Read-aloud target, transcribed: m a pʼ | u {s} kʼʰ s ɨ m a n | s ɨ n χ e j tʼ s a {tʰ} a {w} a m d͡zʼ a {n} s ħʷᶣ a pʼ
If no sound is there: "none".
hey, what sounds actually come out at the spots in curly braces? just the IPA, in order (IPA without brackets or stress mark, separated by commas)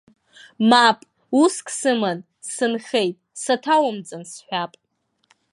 s, tʰ, w, n